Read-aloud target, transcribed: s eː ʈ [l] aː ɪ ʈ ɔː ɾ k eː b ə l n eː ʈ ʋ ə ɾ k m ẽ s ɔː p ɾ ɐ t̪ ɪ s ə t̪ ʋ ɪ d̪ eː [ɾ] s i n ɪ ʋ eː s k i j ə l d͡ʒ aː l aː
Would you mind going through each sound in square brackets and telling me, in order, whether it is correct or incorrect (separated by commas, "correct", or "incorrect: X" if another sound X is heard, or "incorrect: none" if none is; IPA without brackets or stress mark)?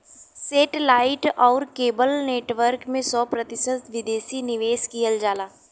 correct, incorrect: none